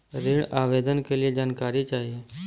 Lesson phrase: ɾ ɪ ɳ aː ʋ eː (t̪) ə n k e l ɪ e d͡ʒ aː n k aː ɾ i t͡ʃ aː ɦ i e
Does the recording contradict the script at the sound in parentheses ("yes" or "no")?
yes